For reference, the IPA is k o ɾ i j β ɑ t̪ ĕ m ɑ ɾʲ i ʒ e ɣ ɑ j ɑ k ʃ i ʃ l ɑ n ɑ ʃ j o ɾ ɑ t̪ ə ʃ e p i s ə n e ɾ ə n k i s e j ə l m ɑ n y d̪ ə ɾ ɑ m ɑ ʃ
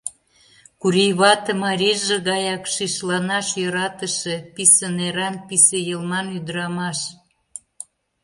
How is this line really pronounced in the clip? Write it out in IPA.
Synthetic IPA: k u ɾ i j β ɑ t̪ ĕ m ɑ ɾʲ i ʒ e ɣ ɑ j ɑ k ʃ i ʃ l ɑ n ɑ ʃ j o ɾ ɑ t̪ ə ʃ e p i s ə n e ɾ ɑ n p i s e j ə l m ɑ n y d̪ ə ɾ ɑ m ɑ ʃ